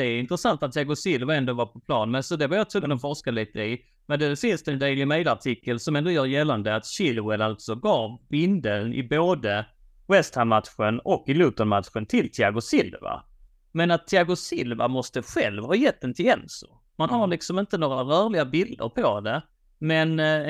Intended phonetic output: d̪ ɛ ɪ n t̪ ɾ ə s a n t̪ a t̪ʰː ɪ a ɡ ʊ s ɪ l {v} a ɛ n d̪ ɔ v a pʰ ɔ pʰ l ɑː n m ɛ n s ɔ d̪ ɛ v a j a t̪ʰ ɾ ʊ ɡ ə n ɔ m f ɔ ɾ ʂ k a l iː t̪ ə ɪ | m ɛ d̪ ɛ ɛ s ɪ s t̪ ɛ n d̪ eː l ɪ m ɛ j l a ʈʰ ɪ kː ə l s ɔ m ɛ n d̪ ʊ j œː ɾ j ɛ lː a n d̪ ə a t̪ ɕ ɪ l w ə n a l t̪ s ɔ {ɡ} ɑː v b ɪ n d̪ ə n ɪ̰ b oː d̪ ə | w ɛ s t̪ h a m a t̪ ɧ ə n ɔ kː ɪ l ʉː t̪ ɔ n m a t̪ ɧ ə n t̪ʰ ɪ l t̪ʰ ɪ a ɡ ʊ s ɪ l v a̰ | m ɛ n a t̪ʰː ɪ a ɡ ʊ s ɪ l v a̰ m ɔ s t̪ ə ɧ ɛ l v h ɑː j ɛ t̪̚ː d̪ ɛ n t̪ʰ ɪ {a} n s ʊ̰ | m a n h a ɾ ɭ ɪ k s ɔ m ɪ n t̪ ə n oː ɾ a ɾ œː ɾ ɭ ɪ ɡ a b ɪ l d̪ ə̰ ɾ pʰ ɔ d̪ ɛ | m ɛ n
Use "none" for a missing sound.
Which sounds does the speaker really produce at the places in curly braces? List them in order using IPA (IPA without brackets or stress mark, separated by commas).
v, ɡ, ɛ